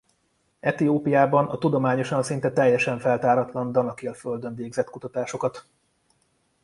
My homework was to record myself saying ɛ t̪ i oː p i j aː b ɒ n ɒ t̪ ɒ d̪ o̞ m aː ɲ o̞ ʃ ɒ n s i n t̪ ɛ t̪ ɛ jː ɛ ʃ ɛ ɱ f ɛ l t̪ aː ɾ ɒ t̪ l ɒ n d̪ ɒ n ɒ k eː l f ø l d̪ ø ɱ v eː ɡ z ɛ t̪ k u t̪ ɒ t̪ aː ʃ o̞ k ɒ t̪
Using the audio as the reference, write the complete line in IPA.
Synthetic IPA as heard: ɛ t̪ i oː p i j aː b ɒ n ɒ t̪ u d̪ o̞ m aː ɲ o̞ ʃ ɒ n s i n t̪ ɛ t̪ ɛ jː ɛ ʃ ɛ ɱ f ɛ l t̪ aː ɾ ɒ t̪ l ɒ n d̪ ɒ n ɒ k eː l f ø l d̪ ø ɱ v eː ɡ z ɛ t̪ k u t̪ ɒ t̪ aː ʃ o̞ k ɒ t̪